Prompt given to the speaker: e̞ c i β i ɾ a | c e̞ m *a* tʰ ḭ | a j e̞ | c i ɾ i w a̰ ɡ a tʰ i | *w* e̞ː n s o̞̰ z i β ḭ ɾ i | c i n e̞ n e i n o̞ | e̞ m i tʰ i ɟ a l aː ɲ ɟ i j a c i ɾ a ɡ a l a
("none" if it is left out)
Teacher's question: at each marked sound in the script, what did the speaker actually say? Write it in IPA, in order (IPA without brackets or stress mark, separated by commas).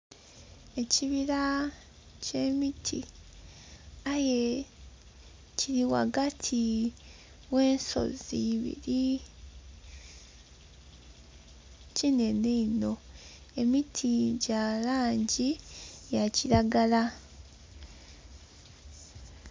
i, w